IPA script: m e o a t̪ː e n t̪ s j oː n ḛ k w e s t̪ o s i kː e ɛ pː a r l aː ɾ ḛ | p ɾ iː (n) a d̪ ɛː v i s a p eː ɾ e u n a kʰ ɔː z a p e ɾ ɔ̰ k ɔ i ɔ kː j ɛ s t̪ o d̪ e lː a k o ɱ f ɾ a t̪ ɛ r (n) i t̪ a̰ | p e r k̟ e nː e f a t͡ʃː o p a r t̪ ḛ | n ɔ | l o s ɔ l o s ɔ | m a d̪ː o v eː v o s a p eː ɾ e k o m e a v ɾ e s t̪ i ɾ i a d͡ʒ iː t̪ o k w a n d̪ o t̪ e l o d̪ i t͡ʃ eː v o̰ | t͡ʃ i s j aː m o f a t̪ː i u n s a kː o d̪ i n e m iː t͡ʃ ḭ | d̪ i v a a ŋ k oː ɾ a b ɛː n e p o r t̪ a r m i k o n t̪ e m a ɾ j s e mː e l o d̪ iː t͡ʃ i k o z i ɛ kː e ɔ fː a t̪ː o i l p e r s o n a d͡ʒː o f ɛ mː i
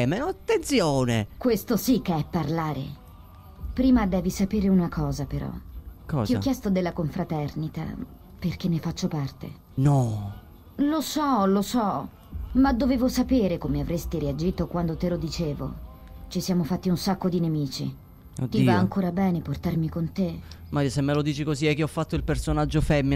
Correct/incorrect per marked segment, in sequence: incorrect: m, correct

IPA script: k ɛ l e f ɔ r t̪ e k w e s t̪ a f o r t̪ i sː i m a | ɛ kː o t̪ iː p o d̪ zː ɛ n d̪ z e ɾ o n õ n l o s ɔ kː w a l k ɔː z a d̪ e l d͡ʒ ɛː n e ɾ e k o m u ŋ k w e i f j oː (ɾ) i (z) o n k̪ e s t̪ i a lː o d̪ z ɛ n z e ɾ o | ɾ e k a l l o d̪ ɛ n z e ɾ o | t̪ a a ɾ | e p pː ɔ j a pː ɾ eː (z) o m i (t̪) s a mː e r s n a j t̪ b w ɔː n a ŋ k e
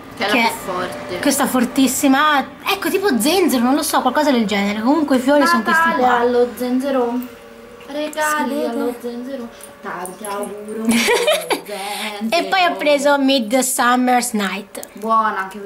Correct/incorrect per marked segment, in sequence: correct, incorrect: s, correct, incorrect: d̪

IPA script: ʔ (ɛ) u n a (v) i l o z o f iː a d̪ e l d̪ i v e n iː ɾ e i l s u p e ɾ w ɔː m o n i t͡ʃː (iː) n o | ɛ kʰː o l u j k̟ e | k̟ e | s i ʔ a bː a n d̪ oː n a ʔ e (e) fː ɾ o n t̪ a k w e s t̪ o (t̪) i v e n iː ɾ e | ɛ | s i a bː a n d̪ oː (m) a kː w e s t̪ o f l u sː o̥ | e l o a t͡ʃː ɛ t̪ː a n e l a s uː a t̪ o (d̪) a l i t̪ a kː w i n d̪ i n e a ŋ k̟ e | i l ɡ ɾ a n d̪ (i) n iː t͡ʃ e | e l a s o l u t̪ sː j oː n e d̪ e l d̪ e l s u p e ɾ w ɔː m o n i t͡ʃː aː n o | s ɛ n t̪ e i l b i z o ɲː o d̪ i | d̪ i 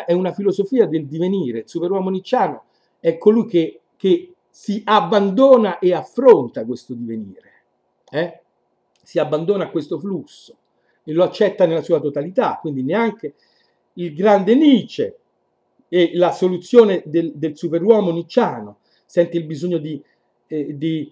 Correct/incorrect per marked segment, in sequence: correct, incorrect: f, incorrect: aː, incorrect: a, incorrect: d̪, incorrect: n, incorrect: t̪, incorrect: e

